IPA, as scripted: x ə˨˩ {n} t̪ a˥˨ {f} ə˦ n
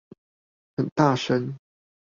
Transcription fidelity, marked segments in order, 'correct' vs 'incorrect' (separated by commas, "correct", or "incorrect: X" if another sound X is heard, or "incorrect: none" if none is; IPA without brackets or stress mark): correct, incorrect: ʂ